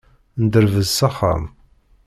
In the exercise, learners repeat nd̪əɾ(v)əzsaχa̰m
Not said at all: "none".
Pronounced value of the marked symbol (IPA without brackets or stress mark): v